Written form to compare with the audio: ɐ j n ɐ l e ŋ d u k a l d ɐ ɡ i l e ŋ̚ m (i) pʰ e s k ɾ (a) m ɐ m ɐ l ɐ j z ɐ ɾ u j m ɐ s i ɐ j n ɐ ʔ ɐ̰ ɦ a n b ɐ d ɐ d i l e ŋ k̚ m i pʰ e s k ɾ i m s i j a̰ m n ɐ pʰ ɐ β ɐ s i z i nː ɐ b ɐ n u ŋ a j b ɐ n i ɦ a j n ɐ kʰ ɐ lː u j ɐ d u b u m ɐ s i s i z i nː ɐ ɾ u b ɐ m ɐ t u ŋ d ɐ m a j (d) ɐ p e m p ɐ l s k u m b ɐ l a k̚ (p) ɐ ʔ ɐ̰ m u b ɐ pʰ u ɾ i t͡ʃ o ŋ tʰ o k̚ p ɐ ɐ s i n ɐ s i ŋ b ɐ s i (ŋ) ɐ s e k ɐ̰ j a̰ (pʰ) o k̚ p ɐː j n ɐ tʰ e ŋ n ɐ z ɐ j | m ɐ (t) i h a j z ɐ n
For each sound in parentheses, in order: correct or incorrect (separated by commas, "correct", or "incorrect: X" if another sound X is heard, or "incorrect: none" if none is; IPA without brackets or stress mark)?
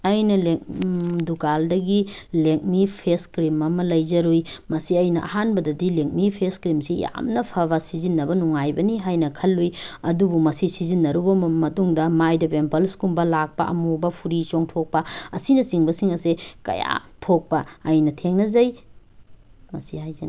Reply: correct, incorrect: i, correct, correct, correct, incorrect: tʰ, incorrect: s